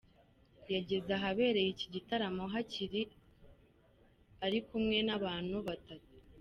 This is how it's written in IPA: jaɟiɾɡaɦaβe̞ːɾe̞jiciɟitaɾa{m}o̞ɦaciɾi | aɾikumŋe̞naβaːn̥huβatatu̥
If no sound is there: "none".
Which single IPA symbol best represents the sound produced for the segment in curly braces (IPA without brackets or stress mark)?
m